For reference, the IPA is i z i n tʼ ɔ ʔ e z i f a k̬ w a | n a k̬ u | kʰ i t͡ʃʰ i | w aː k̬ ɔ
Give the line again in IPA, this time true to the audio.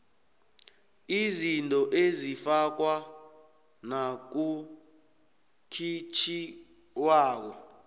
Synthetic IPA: i z i n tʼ ɔ ʔ e z i f a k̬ w a | n a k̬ u | kʰ i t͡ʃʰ i | w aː k̬ ɔ